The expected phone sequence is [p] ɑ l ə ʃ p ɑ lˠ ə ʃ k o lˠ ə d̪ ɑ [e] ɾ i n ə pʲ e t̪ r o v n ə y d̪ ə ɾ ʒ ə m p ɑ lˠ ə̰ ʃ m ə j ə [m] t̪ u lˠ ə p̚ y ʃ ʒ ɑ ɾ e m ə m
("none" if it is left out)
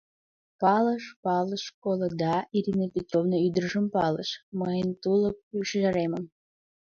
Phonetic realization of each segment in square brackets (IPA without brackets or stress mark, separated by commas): p, i, n